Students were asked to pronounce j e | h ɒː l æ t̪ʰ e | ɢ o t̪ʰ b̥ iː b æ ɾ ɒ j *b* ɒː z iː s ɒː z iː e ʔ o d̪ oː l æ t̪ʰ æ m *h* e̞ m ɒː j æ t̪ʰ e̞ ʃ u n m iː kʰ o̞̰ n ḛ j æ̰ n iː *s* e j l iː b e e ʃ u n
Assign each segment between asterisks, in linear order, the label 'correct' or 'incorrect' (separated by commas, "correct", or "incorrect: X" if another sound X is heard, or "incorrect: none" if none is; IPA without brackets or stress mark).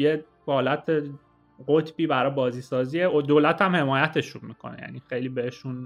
correct, correct, incorrect: x